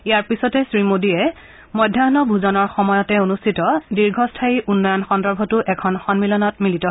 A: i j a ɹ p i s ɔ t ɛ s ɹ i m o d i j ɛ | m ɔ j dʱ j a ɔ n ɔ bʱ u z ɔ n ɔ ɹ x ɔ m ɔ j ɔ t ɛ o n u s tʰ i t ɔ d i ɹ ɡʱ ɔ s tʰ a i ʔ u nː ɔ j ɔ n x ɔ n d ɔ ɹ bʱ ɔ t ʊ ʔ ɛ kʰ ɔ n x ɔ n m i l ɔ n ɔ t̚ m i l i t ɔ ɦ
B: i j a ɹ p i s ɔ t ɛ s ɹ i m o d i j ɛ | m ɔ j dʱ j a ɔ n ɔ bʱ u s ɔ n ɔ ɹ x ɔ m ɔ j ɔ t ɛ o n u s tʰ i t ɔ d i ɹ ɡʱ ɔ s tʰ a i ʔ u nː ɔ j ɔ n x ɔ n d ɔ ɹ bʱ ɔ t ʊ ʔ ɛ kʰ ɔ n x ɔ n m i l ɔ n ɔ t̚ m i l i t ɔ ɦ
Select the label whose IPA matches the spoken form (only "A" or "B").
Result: A